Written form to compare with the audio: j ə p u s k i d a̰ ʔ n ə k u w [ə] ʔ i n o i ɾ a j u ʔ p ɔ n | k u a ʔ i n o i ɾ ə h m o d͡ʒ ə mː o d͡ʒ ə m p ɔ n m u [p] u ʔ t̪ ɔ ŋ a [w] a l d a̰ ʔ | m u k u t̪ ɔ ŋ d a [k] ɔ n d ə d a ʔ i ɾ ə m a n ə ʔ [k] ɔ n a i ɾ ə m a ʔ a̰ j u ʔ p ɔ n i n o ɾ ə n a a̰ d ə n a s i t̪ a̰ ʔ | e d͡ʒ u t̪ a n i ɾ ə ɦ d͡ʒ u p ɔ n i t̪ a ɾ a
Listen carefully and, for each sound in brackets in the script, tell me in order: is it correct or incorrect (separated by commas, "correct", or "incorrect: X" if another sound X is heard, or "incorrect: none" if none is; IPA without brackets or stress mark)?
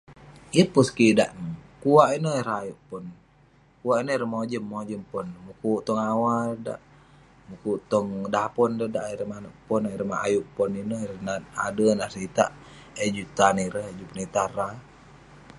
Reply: incorrect: a, incorrect: k, correct, incorrect: p, incorrect: p